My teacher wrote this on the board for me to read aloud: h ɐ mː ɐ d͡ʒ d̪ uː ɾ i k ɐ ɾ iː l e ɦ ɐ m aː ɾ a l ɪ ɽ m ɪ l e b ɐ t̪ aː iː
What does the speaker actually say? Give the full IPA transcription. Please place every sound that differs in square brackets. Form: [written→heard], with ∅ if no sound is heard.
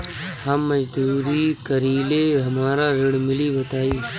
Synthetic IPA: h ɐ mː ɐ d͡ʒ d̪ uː ɾ i k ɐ ɾ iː l e ɦ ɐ m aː ɾ a [l→ɾ] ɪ ɽ m ɪ l [e→i] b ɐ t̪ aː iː